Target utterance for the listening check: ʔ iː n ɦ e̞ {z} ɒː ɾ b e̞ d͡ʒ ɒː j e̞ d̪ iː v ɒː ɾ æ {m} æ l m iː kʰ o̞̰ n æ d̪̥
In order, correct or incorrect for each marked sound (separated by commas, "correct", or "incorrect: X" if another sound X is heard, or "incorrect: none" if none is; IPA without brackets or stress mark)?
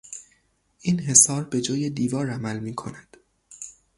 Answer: incorrect: s, correct